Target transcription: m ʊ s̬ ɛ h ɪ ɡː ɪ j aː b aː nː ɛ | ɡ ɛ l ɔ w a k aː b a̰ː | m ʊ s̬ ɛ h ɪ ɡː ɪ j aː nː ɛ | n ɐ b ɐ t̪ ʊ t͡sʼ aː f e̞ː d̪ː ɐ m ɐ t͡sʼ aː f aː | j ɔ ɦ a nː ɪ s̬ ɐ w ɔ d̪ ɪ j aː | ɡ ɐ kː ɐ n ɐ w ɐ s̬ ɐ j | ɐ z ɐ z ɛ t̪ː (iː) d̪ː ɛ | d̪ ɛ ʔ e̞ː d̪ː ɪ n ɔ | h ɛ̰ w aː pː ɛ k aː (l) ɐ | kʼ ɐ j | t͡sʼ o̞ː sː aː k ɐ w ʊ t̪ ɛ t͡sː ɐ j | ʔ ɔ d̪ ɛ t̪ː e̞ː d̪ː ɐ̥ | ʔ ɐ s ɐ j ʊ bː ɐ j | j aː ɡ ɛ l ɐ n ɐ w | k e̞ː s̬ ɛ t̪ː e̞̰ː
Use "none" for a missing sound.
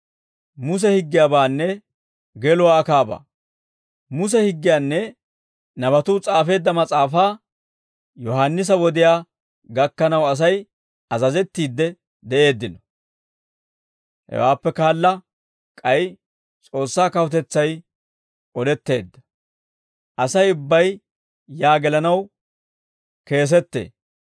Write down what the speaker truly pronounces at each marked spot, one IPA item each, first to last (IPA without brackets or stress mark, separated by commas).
iː, lː